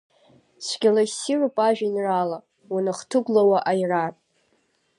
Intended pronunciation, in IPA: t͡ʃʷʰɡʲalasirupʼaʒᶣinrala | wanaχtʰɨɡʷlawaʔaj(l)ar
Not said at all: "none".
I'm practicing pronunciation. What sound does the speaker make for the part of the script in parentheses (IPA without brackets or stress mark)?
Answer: r